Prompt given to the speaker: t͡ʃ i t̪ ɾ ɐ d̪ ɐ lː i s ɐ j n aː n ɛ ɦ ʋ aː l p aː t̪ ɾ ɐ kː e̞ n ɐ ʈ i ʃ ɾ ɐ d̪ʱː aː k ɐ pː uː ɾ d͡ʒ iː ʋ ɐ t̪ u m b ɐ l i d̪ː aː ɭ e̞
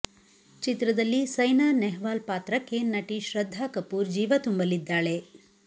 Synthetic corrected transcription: t͡ʃ i t̪ ɾ ɐ d̪ ɐ lː i s ɐ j n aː n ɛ ɦ ʋ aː l p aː t̪ ɾ ɐ kː e̞ n ɐ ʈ i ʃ ɾ ɐ d̪ʱː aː k ɐ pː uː ɾ d͡ʒ iː ʋ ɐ t̪ u m b ɐ l i d̪ː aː ɭ e̞